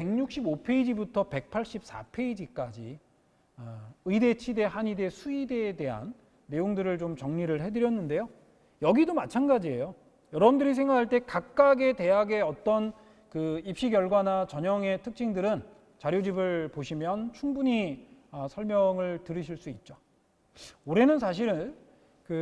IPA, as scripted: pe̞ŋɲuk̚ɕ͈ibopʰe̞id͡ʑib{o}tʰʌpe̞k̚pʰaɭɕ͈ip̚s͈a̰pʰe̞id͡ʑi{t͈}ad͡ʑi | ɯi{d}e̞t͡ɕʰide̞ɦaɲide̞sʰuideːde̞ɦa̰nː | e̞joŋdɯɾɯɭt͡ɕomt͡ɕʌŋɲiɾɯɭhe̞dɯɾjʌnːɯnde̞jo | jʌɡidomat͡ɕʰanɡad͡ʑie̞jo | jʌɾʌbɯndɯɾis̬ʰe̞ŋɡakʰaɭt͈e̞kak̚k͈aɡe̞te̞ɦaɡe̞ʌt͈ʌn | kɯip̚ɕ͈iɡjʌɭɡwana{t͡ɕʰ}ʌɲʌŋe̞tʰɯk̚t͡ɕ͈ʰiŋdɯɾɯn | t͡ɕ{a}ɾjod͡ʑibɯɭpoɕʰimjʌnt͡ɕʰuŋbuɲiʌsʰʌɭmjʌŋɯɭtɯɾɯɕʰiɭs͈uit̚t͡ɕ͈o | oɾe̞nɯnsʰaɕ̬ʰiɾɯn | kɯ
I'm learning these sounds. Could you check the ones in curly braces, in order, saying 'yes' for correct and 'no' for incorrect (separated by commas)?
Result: no, no, yes, no, yes